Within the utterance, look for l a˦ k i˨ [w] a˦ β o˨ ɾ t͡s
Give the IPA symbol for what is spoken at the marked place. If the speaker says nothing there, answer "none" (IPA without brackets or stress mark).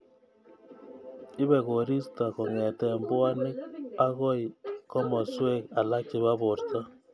β